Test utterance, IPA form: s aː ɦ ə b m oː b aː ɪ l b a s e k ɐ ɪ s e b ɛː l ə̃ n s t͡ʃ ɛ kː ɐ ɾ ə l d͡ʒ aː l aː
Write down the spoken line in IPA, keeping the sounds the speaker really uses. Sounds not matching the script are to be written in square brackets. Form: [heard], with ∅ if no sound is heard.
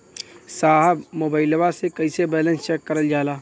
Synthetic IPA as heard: s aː ɦ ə b m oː b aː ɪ l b a s e k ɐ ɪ s e b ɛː l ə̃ n s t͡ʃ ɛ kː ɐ ɾ ə l d͡ʒ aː l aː